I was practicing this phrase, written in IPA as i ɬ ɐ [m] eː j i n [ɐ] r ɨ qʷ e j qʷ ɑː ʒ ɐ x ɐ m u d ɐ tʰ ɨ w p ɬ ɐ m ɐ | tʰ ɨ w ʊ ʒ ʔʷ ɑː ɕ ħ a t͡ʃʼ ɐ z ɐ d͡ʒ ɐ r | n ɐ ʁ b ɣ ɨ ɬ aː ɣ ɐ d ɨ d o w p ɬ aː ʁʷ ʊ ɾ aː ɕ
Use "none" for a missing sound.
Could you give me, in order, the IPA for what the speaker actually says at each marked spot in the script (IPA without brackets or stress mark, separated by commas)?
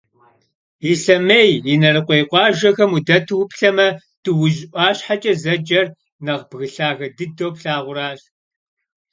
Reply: m, ɐ